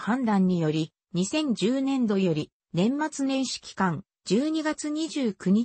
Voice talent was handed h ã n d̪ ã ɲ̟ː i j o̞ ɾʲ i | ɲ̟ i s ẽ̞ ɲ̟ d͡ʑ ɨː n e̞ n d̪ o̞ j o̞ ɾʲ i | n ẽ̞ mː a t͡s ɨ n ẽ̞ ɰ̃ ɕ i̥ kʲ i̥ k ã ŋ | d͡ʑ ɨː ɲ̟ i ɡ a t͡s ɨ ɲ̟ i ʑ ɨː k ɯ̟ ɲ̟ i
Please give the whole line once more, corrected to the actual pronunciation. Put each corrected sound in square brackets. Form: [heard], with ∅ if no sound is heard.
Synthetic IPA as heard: h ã n d̪ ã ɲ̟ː i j o̞ ɾʲ i | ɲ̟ i s ẽ̞ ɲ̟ d͡ʑ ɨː n [ẽ̞] n d̪ o̞ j o̞ ɾʲ i | n ẽ̞ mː a t͡s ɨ n ẽ̞ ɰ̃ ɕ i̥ kʲ i̥ k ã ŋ | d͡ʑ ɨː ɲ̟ i ɡ a t͡s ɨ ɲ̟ i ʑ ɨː k ɯ̟ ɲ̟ i